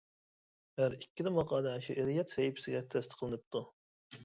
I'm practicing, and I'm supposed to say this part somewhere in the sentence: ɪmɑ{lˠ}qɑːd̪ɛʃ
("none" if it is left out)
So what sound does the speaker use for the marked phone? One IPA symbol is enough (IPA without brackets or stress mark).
none